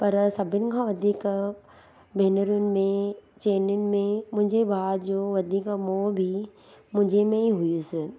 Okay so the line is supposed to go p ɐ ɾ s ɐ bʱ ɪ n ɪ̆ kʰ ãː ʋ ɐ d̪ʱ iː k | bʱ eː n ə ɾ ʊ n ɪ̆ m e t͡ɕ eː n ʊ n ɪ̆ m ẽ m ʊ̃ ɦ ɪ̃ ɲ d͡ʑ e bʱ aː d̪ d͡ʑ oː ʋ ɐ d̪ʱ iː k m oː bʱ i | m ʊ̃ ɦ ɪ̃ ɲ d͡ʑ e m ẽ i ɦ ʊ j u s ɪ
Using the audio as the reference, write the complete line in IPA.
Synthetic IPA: p ɐ ɾ s ɐ bʱ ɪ n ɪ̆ kʰ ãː ʋ ɐ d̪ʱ iː k | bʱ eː n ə ɾ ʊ n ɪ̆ m ẽ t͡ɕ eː n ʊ n ɪ̆ m ẽ m ʊ̃ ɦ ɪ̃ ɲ d͡ʑ e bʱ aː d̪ d͡ʑ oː ʋ ɐ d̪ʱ iː k m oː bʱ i | m ʊ̃ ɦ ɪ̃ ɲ d͡ʑ e m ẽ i ɦ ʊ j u s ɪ

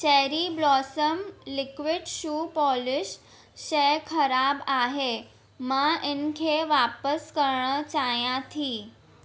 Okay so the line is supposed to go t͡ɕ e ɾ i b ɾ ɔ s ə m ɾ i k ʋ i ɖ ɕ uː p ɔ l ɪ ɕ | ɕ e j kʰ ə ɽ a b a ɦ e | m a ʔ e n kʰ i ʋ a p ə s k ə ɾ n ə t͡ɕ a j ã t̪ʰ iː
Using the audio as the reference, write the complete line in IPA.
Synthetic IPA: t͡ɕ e ɾ i b l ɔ s ə m l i k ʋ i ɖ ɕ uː p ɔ l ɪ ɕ | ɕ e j kʰ ə ɾ a b a ɦ e | m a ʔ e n kʰ e ʋ a p ə s k ə ɾ ɳ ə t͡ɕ a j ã t̪ʰ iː

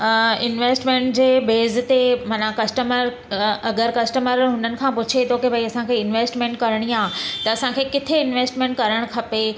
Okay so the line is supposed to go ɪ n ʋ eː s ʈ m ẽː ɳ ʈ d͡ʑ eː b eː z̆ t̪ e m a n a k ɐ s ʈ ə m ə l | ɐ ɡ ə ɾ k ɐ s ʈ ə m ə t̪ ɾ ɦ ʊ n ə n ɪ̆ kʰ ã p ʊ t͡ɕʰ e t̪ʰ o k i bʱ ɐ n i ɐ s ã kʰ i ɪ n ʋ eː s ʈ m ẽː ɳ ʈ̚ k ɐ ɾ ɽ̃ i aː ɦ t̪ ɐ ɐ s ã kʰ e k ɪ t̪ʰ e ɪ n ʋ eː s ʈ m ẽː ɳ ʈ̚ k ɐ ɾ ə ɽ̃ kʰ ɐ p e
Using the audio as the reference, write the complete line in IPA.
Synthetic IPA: ɪ n ʋ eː s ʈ m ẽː ɳ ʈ d͡ʑ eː b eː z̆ t̪ e m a n a k ɐ s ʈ ə m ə ɾ | ɐ ɡ ə ɾ k ɐ s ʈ ə m ə ɾ ɦ ʊ n ə n ɪ̆ kʰ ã p ʊ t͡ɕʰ e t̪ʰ o k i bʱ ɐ i ɐ s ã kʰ e ɪ n ʋ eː s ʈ m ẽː ɳ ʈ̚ k ɐ ɾ ɽ̃ i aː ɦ t̪ ɐ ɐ s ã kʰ e k ɪ t̪ʰ e ɪ n ʋ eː s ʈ m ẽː ɳ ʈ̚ k ɐ ɾ ə ɽ̃ kʰ ɐ p e

